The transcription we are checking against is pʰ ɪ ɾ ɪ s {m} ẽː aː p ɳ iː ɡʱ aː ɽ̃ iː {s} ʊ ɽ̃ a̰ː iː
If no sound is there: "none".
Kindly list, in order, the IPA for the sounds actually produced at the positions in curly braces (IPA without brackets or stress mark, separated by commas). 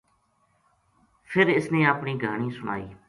n, s